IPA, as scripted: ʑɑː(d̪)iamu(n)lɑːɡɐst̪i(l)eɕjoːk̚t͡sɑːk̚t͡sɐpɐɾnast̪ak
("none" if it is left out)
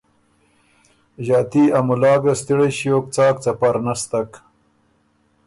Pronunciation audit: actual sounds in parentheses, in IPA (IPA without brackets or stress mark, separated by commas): t̪, none, ɽ